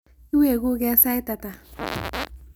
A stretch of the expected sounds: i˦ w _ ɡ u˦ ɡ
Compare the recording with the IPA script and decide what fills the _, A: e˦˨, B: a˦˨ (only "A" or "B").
A